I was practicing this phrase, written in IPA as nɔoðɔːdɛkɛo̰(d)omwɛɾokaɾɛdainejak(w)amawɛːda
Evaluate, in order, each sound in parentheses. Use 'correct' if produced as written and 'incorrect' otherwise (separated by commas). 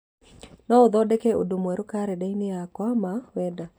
correct, correct